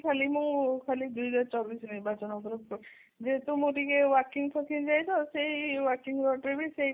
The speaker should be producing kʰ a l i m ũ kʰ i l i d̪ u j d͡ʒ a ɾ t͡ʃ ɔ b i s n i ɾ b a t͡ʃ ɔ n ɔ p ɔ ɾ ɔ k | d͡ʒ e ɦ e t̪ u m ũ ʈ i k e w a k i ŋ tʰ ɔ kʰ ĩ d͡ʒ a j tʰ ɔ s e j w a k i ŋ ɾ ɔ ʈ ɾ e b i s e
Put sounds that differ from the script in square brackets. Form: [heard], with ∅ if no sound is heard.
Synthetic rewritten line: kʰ a l i m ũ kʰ [a] l i d̪ u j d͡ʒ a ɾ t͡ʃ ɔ b i s n i ɾ b a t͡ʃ ɔ n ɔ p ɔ ɾ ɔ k | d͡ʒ e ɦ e t̪ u m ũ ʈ i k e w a k i ŋ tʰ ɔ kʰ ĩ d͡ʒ a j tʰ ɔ s e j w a k i ŋ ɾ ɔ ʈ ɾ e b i s e